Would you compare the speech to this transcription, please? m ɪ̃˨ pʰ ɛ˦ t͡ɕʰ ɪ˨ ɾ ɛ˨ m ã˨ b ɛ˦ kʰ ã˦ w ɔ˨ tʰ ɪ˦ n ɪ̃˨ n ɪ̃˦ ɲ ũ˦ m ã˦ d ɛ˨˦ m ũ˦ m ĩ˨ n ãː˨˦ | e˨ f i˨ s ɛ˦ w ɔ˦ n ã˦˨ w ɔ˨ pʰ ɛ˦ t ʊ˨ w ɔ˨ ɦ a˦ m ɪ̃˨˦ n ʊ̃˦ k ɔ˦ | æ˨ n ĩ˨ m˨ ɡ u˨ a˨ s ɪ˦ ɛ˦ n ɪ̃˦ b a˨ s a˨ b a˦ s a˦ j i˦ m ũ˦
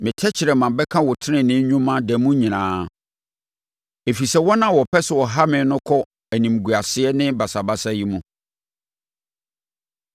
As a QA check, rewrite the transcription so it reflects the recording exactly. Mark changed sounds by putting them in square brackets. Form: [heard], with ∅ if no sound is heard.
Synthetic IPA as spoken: m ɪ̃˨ [tʰ] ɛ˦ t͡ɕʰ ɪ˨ ɾ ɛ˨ m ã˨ b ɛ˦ kʰ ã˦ w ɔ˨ tʰ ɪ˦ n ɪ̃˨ n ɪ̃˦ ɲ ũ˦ m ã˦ d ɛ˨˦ m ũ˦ [ɲ] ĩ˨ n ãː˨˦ | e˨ f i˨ s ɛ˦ w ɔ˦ n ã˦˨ w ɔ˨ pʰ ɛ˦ [s] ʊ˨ w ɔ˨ ɦ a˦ m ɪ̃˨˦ n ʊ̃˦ [kʰ] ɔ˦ | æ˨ n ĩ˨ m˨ ɡ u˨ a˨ s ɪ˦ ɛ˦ n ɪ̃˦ b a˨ s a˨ b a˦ s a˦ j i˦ m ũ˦